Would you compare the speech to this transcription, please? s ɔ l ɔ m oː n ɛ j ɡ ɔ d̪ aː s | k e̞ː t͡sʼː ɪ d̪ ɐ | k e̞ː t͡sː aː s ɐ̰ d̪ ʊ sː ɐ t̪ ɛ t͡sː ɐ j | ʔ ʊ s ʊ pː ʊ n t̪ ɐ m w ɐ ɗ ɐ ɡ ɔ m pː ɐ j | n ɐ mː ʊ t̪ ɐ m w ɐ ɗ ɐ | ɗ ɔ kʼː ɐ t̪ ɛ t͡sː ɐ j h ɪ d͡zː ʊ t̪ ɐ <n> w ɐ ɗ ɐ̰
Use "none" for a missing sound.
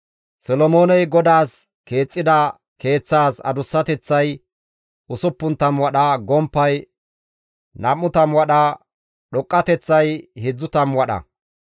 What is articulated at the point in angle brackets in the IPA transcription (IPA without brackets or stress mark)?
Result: m